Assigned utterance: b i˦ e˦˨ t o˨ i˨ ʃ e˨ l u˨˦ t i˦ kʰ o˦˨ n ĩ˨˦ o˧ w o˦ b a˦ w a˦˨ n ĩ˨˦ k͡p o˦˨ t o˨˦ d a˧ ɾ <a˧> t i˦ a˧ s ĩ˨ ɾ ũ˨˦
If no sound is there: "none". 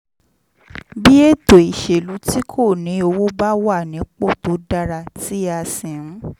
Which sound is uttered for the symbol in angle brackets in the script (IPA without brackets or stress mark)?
a˧